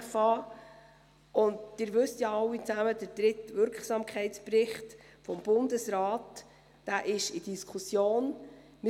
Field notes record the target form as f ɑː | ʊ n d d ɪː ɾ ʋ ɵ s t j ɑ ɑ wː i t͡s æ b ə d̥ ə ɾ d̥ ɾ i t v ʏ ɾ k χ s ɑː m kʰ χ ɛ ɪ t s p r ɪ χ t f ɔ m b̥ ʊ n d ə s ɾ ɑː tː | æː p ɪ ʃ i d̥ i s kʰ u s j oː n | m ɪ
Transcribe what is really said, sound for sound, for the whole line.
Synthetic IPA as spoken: f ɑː | ʊ n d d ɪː ɾ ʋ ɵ s t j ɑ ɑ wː i t͡s æ m ə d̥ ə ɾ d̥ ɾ ɪ t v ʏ ɾ k χ s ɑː m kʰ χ ɛ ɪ t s p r ɪ χ t f ɔ m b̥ ʊ n d ə s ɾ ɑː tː | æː ʔ ɪ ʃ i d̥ i s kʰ u s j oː n | m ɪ

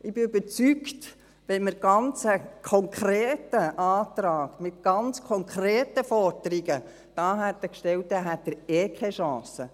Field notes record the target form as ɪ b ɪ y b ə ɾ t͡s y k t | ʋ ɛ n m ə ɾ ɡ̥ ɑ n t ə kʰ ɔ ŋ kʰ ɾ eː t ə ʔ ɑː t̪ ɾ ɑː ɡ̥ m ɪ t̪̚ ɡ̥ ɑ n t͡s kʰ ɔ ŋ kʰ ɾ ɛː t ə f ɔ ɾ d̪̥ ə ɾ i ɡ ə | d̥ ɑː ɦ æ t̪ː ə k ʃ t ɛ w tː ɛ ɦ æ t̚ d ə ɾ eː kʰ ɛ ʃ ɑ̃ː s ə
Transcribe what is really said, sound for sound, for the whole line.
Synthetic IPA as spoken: ɪ b ɪ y b ə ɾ t͡s y k t | ʋ ɛ n m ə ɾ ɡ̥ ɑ n t͡s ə kʰ ɔ ŋ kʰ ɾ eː t ə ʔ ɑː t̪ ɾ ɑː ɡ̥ m ɪ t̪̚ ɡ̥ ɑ n t͡s kʰ ɔ ŋ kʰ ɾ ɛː t ə f ɔ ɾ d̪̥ ə ɾ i ɡ ə | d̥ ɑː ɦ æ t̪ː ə k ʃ t ɛ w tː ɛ ɦ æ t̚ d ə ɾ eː kʰ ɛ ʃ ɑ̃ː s ə

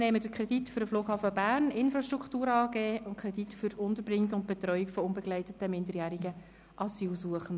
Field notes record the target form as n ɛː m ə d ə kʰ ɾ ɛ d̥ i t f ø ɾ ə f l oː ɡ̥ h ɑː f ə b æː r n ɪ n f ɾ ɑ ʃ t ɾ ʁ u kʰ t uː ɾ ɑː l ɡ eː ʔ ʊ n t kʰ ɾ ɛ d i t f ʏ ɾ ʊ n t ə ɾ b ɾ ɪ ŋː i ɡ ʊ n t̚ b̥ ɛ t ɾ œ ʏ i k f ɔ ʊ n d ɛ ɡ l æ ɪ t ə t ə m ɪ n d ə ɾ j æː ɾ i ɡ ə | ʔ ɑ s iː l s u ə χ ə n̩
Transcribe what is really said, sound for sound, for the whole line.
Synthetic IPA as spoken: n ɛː m ə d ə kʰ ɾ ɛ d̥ i t f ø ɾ ə f l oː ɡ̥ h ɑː f ə b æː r n ɪ n f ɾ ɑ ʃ t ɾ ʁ u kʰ t uː ɾ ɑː ɡ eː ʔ ʊ n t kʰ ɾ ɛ d i t f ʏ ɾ ʊ n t ə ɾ b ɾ ɪ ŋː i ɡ ʊ n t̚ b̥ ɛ t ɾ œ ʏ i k f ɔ ʊ n b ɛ ɡ l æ ɪ t ə t ə m ɪ n d ə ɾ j æː ɾ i ɡ ə | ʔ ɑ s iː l s u ə χ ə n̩

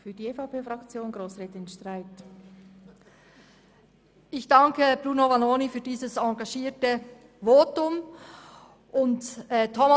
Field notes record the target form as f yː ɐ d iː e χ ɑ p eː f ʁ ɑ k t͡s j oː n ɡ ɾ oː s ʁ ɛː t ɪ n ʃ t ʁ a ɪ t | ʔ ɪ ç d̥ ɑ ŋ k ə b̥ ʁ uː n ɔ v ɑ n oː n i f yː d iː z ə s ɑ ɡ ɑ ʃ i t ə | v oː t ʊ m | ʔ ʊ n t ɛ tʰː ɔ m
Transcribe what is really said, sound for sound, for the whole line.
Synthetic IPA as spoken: f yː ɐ d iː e f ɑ p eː f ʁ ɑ k t͡s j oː n ɡ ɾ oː s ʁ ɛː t ɪ n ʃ t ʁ a ɪ t | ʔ ɪ ç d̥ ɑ ŋ k ə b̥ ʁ uː n o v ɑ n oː n i f yː d iː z ə s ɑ ɡ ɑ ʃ iː t ə | v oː t ʊ m | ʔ ʊ n t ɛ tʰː ɔ m

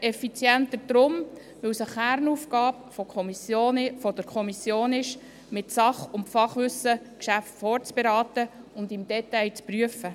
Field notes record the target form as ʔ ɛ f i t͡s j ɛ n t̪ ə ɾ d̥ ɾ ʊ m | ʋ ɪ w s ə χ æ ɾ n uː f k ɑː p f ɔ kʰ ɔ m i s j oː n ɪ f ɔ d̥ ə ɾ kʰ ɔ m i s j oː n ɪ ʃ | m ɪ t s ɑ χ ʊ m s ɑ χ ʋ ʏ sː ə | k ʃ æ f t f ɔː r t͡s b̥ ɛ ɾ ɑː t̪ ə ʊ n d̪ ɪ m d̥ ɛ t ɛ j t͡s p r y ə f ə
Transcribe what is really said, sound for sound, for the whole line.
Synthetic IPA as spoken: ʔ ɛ f i t͡s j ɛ n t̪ ə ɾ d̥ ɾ ʊ m | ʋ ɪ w s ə χ æ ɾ n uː f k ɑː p f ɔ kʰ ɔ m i s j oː n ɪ f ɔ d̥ ə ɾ kʰ ɔ m i s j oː n ɪ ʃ | m ɪ t s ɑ χ ʊ m f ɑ χ ʋ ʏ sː ə | k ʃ æ f t f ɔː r t͡s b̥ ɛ ɾ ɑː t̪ ə ʊ n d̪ ɪ m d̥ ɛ t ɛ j t͡s p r y ə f ə

